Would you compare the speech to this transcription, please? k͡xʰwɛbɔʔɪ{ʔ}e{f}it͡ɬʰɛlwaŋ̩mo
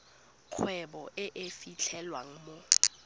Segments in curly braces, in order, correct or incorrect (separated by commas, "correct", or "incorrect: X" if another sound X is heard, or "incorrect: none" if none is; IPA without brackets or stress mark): correct, correct